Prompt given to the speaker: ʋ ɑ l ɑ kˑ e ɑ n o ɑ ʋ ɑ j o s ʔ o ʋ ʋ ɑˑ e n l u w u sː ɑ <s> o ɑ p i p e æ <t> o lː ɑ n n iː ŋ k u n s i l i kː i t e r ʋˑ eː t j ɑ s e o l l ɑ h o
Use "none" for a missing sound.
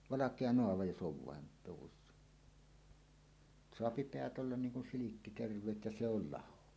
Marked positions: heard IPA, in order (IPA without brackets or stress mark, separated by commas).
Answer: s, t